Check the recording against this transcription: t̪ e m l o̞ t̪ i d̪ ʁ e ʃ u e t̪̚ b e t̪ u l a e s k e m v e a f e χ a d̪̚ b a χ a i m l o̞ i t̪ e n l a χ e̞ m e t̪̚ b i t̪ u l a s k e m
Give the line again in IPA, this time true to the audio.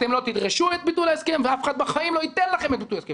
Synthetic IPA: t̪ e m l o̞ t̪ i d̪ ʁ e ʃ u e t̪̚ b i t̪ u l a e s k e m v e a f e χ a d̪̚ b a χ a i m l o̞ i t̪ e n l a χ e̞ m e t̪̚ b i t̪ u l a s k e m